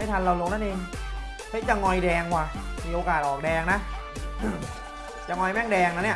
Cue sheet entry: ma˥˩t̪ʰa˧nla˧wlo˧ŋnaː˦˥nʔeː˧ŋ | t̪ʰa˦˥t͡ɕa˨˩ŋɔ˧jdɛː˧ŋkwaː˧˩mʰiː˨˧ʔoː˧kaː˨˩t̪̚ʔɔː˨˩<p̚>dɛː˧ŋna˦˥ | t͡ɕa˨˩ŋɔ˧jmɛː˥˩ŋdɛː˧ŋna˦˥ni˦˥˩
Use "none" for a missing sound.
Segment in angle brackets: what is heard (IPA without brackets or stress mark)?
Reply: k̚